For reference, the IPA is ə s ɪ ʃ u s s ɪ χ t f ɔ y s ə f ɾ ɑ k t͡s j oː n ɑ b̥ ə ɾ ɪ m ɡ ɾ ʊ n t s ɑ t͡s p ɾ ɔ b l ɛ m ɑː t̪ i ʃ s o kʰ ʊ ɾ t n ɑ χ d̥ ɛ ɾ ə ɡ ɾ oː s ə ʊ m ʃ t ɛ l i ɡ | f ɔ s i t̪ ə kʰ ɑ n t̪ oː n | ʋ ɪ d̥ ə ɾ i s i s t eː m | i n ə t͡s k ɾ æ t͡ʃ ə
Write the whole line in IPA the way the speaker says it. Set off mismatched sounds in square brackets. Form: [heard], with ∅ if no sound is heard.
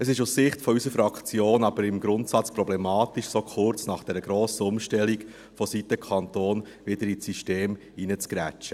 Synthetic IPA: ə s ɪ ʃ u s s ɪ χ t f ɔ y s ə f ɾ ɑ k t͡s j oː n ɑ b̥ ə ɾ ɪ m ɡ ɾ ʊ n t s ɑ t͡s p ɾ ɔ b l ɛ m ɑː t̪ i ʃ s o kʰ ʊ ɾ [t͡s] n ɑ χ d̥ ɛ ɾ ə ɡ ɾ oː s ə ʊ m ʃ t ɛ l i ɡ | f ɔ s i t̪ ə kʰ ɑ n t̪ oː n | ʋ ɪ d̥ ə ɾ i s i [ʃ] t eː m | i n ə t͡s k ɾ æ t͡ʃ ə